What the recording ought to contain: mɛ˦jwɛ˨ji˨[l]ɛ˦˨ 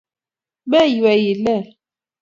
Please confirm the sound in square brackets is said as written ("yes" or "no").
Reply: yes